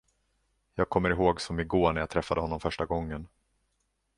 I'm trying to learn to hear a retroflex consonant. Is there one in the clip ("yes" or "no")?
yes